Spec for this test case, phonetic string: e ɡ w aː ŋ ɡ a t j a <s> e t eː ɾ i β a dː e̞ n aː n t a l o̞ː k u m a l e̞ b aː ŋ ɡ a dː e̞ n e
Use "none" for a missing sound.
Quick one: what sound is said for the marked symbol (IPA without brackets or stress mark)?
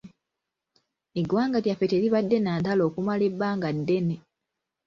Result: f